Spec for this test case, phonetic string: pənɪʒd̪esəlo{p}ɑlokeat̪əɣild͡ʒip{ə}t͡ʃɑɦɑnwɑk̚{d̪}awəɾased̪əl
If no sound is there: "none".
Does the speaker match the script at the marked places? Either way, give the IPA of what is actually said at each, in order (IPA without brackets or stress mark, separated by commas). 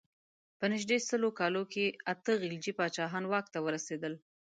k, ɑ, t̪